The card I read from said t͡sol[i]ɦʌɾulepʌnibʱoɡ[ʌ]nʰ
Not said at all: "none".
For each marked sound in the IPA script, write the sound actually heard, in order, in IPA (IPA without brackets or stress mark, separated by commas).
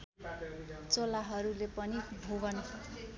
a, ʌ